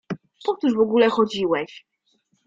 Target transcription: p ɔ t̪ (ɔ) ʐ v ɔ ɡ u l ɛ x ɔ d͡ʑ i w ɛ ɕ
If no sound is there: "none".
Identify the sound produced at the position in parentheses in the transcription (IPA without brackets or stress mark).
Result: u